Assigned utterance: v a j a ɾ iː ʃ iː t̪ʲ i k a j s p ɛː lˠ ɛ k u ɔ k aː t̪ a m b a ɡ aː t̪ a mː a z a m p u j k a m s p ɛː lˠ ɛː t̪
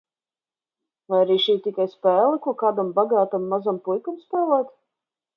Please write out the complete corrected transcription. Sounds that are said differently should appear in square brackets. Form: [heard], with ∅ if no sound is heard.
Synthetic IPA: v a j a ɾ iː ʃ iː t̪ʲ i k a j s p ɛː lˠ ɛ k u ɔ k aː [d̪] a m b a ɡ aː t̪ a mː a z a m p u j k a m s p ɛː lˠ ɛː t̪